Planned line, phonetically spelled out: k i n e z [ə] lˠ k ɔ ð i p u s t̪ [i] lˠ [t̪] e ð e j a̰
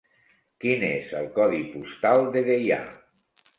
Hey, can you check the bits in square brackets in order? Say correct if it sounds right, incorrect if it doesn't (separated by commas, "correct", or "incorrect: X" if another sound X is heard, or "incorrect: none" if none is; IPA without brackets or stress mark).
correct, incorrect: a, incorrect: d̪